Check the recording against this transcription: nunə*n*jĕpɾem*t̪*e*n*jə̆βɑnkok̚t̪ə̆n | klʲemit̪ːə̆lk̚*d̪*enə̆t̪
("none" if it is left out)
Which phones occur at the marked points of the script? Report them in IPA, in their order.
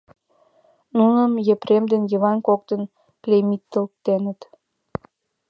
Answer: m, d̪, n, t̪

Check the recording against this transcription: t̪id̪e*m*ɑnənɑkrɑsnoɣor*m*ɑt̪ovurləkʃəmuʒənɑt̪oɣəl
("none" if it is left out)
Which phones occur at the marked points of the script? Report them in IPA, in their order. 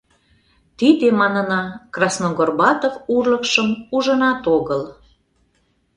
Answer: m, b

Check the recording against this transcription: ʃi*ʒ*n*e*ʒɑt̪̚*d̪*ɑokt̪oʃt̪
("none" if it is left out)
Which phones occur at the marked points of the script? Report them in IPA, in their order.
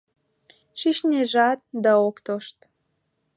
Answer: ʃ, e, d̪

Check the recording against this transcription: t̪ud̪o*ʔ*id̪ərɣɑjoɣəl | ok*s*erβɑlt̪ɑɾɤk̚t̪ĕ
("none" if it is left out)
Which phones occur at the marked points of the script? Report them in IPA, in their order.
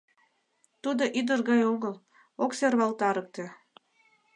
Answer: ʔ, s

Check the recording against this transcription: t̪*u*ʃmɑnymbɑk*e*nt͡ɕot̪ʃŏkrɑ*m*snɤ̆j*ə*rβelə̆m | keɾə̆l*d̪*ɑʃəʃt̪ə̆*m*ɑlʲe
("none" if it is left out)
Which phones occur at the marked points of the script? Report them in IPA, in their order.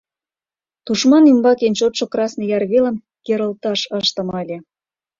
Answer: u, e, none, ɑ, t̪, m

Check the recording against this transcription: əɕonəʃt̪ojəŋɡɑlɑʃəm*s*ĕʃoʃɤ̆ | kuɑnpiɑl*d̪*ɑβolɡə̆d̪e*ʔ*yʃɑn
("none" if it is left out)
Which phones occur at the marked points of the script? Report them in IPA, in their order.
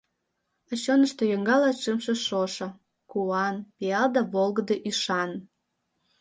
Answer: ʃ, d̪, ʔ

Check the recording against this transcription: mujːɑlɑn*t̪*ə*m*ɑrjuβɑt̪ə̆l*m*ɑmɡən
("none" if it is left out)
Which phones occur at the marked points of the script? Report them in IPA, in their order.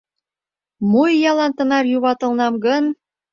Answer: t̪, n, n

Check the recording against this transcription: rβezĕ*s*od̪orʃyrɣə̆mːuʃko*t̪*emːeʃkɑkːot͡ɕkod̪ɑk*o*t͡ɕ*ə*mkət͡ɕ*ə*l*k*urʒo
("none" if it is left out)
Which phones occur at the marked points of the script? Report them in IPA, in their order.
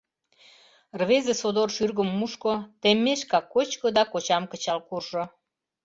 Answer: s, t̪, o, ɑ, ɑ, k

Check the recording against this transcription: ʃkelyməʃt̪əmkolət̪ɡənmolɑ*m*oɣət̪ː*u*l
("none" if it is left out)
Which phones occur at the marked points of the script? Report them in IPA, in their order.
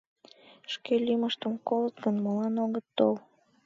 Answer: n, o

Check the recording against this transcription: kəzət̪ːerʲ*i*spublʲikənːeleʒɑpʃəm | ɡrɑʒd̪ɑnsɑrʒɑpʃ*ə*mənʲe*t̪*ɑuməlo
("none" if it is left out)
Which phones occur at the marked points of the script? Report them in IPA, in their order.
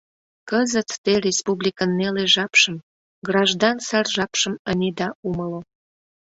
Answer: e, ə, d̪

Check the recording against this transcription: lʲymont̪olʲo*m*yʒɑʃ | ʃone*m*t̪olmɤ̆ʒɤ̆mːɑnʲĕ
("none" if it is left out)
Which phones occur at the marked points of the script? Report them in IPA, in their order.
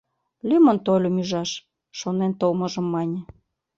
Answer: m, n

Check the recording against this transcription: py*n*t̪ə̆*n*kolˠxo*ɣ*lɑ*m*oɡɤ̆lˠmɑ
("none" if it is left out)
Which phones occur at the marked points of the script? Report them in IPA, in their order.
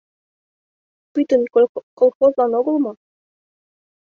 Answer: none, n, z, n

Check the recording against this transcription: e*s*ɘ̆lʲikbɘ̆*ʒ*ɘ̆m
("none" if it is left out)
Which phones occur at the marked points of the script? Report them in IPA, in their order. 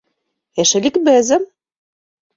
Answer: ʃ, z

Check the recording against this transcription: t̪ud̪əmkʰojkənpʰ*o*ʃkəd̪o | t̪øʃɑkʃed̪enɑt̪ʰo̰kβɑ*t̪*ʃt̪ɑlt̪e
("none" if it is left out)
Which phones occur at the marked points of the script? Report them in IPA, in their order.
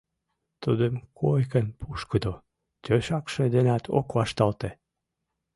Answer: u, none

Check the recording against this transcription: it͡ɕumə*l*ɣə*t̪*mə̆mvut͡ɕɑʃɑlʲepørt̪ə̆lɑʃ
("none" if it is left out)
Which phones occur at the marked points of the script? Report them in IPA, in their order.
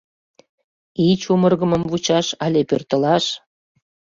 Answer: r, none

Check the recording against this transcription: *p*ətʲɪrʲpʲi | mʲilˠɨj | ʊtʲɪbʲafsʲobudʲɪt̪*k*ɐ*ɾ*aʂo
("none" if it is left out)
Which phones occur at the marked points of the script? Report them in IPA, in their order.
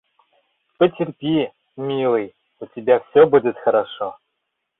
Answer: p, x, ɾ

